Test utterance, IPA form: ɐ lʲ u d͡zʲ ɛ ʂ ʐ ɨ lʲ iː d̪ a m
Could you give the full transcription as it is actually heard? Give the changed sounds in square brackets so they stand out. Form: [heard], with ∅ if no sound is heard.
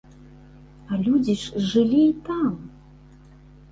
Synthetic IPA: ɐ lʲ u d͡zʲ [i] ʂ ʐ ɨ lʲ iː [t̪] a m

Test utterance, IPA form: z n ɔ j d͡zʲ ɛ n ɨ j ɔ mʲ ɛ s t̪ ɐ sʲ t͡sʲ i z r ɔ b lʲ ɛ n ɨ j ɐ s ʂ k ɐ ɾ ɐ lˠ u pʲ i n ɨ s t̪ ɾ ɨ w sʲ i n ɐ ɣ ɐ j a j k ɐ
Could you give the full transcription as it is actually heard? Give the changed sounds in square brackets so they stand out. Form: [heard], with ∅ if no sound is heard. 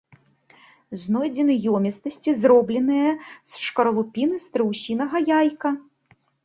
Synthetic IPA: z n ɔ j d͡zʲ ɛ n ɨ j ɔ mʲ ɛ s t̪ ɐ sʲ t͡sʲ i z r ɔ b lʲ ɛ n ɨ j ɐ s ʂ k ɐ ɾ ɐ lˠ u pʲ i n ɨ s t̪ ɾ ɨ w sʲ i n ɐ ɣ ɐ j a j k ɐ

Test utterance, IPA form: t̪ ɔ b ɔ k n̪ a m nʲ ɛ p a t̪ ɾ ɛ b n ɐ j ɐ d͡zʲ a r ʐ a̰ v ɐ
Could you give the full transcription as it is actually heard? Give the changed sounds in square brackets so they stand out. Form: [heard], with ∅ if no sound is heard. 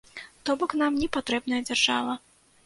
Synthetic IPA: t̪ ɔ b ɔ k n̪ a m nʲ ɛ p a t̪ ɾ ɛ b n ɐ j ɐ d͡zʲ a r ʐ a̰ v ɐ

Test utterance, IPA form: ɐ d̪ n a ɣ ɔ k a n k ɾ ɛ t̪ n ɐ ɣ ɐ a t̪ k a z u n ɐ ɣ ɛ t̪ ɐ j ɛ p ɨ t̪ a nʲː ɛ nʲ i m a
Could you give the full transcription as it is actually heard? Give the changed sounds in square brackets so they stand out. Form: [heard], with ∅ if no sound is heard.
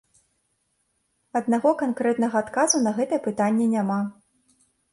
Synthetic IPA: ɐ d̪ n a ɣ ɔ k a n k ɾ ɛ t̪ n ɐ ɣ ɐ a t̪ k a z u n ɐ ɣ ɛ t̪ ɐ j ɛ p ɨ t̪ a nʲː ɛ nʲ [a] m a

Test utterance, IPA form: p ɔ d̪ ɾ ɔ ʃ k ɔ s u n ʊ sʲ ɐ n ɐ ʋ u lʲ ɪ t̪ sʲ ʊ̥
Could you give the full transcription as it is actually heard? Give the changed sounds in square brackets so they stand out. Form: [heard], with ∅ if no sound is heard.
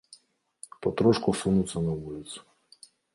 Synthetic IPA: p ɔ [t̪] ɾ ɔ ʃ k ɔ s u n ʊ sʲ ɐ n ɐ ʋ u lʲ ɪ t̪ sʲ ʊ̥

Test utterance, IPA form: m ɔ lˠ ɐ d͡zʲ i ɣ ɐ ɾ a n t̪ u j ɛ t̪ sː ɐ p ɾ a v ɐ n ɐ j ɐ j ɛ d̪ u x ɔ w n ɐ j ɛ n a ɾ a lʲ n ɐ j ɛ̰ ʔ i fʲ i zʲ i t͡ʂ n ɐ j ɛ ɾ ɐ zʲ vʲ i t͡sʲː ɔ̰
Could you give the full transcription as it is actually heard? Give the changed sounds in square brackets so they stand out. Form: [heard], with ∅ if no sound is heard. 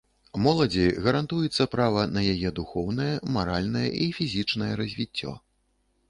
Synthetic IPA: m ɔ lˠ ɐ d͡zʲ i ɣ ɐ ɾ a n t̪ u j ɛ t̪ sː ɐ p ɾ a v ɐ n ɐ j [a] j ɛ d̪ u x ɔ w n ɐ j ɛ [m] a ɾ a lʲ n ɐ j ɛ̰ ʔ i fʲ i zʲ i t͡ʂ n ɐ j ɛ ɾ ɐ zʲ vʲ i t͡sʲː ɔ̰

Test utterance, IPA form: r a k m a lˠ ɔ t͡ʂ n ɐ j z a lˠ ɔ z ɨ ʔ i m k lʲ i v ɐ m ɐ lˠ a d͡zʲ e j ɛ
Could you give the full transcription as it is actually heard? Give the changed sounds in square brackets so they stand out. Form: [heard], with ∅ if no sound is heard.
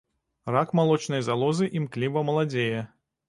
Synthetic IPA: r a k m a lˠ ɔ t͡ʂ n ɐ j z a lˠ ɔ z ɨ ʔ i m k lʲ i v ɐ m ɐ lˠ a d͡zʲ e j ɛ

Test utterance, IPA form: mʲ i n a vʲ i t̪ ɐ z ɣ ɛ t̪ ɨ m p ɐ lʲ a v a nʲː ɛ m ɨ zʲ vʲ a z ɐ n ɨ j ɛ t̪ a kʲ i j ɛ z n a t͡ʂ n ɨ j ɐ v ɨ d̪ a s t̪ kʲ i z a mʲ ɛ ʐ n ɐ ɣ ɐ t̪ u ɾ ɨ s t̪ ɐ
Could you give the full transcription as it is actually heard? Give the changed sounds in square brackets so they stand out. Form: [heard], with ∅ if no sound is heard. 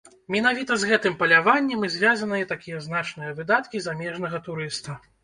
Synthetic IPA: mʲ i n a vʲ i t̪ ɐ z ɣ ɛ t̪ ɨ m p ɐ lʲ a v a nʲː ɛ m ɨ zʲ vʲ a z ɐ n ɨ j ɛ t̪ a kʲ i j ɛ z n a t͡ʂ n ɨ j ɐ v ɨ d̪ a [∅] t̪ kʲ i z a mʲ ɛ ʐ n ɐ ɣ ɐ t̪ u ɾ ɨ s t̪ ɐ

